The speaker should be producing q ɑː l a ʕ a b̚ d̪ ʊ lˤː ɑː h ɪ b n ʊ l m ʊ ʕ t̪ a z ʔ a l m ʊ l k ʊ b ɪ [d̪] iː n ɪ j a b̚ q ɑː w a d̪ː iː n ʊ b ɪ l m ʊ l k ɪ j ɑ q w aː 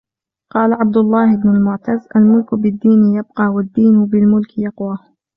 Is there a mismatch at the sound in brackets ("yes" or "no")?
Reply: yes